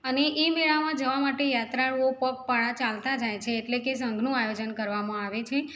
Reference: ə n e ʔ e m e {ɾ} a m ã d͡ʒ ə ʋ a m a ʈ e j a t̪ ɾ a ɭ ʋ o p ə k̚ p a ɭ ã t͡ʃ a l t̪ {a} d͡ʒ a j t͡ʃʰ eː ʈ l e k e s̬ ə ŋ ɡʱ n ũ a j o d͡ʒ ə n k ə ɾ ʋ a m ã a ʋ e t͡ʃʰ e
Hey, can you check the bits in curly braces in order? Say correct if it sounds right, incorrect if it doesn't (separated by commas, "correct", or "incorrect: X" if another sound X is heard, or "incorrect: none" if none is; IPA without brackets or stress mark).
incorrect: ɭ, correct